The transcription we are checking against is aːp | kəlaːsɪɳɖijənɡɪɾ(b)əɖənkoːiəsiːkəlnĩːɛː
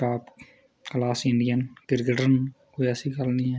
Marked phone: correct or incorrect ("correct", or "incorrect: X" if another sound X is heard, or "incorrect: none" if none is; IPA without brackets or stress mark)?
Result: incorrect: ɡ